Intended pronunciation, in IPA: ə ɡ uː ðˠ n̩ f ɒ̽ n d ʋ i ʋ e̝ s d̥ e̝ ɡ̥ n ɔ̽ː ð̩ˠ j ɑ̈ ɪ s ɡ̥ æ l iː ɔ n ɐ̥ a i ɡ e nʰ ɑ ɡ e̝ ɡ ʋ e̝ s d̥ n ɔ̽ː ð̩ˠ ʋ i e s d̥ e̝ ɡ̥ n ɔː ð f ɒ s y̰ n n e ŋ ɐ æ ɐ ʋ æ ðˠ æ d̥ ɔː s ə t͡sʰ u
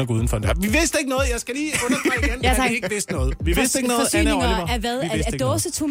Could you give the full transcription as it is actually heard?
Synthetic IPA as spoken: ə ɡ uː ðˠ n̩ f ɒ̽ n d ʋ i ʋ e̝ s d̥ e̝ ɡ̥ n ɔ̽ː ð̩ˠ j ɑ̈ ɪ s ɡ̥ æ l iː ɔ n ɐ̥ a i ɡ e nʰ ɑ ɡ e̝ ɡ ʋ e̝ s d̥ n ɔ̽ː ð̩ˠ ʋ i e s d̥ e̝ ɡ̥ n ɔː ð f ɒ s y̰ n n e ŋ ɐ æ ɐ ʋ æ ðˠ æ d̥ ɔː s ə t͡sʰ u